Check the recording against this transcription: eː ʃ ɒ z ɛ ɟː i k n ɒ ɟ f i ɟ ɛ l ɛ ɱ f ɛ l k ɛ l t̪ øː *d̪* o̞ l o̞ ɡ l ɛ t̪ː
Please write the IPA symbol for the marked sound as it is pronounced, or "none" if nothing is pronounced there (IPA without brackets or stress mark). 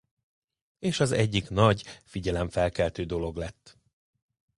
d̪